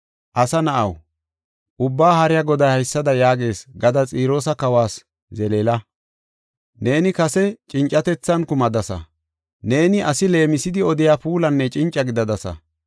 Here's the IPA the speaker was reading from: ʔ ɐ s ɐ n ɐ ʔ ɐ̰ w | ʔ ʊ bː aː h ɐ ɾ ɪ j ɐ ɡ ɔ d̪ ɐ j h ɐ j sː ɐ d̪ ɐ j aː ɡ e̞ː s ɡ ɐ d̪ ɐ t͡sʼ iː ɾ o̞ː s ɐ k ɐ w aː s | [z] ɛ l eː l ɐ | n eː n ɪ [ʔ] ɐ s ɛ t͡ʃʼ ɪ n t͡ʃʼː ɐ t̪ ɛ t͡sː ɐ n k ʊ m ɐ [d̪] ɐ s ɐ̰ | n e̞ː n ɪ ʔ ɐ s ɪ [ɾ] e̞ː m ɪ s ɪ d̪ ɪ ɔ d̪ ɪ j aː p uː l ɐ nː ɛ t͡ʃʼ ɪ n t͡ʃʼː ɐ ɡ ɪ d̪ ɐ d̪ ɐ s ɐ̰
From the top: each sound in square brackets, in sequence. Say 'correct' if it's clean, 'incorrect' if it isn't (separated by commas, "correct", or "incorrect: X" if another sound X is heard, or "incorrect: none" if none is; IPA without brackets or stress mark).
correct, incorrect: k, correct, incorrect: l